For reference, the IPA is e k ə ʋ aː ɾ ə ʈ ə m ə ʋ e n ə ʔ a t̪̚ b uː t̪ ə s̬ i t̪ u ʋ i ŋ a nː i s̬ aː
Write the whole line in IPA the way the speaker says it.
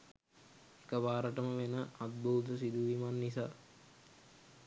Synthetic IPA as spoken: e k ə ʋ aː ɾ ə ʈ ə m ə ʋ e n ə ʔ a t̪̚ b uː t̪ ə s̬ i d̪ u ʋ i m a nː i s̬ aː

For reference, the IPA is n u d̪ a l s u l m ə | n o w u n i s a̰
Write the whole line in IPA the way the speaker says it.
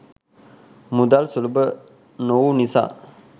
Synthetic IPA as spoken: m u d̪ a l s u l b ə | n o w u n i s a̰

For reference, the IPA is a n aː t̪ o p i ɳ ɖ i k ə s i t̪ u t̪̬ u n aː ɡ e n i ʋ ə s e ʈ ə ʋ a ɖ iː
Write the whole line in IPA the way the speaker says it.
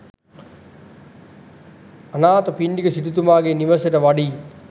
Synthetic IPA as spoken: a n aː t̪ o p i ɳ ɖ i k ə s i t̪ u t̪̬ u m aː ɡ e n i ʋ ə s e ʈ ə ʋ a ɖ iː

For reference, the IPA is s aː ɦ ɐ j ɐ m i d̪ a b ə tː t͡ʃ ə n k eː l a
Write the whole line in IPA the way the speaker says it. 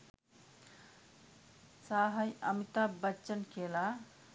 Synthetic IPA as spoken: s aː ɦ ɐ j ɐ m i t̪ a b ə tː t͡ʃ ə n k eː l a

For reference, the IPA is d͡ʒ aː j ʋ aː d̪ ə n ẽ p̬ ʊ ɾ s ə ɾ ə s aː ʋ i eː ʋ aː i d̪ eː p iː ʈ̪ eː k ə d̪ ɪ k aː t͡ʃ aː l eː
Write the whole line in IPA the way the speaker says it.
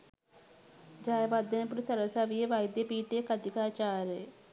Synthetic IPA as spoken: d͡ʒ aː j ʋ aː d̪ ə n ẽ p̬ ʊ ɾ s ə ɾ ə s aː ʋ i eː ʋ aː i d̪ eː p iː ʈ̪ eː k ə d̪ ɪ k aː t͡ʃ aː ɾ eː

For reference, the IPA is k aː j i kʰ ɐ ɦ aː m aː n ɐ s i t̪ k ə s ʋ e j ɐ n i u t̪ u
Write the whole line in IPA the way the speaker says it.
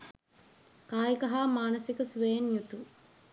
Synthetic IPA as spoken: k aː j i k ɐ ɦ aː m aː n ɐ s i k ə s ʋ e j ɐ n j u t̪ u

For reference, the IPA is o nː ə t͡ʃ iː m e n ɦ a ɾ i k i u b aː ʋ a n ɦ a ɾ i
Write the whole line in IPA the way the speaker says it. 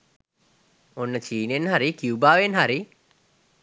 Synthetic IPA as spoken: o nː ə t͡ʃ iː n e n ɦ a ɾ i k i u b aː ʋ e n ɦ a ɾ i

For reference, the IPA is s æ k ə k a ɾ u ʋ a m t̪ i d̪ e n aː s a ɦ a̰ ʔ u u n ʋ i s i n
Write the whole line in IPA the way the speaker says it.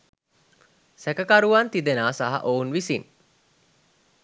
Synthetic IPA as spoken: s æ k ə k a ɾ u ʋ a n t̪ i d̪ e n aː s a ɦ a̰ ʔ o u n ʋ i s i n

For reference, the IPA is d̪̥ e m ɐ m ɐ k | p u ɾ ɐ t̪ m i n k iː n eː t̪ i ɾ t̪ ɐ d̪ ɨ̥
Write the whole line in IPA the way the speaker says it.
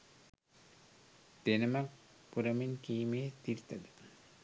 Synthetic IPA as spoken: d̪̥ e n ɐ m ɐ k | p u ɾ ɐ m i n k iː m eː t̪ i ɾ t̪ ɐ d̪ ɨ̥

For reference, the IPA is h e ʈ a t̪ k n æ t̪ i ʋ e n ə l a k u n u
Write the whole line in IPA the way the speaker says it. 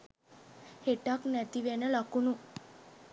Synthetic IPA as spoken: h e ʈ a k n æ t̪ i ʋ e n ə l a k u n u

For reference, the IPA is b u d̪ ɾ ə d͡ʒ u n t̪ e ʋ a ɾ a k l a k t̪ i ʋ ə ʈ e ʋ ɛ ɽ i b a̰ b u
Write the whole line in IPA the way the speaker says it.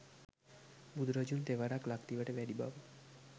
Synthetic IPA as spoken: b u d̪ ɾ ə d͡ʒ u n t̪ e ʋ a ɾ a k l a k t̪ i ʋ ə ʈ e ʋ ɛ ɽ i b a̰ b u

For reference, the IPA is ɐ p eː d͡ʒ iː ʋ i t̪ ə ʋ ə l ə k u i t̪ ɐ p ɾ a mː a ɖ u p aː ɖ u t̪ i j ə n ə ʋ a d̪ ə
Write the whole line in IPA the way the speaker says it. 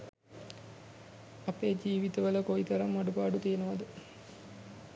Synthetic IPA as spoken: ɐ p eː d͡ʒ iː ʋ i t̪ ə ʋ ə l ə k o i t̪ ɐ ɾ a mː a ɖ u p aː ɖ u t̪ i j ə n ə ʋ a d̪ ə

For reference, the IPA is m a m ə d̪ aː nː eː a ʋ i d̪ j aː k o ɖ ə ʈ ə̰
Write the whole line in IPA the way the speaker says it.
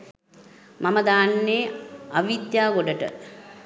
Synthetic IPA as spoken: m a m ə d̪ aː nː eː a ʋ i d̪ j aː ɡ o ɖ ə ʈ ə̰

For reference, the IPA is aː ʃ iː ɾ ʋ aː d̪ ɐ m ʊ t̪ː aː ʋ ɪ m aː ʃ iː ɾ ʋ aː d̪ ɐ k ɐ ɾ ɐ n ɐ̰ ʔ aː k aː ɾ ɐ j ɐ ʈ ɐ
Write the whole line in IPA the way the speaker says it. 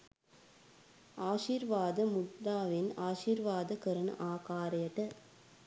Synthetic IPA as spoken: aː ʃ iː ɾ ʋ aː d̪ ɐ m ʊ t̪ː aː ʋ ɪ n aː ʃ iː ɾ ʋ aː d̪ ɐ k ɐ ɾ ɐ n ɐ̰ ʔ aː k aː ɾ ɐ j ɐ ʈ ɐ

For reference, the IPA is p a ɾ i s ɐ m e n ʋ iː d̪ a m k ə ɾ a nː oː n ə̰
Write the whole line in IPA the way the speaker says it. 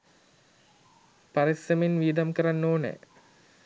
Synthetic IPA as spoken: p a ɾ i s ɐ m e n ʋ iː d̪ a m k ə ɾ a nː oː n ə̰

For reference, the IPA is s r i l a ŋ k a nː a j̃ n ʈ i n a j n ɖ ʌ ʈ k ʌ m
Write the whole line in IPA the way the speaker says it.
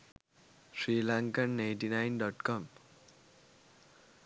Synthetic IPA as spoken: s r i l a ŋ k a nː a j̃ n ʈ i n a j n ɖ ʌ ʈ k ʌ m

